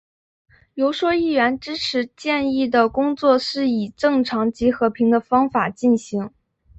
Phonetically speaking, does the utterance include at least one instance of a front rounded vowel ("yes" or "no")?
no